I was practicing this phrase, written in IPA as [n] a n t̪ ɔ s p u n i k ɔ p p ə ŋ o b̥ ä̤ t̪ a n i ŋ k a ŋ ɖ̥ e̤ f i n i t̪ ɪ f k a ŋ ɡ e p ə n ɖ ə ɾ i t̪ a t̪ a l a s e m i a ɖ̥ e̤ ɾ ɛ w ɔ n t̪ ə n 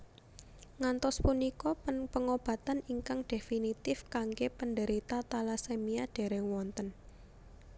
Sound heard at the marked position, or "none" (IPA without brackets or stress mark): ŋ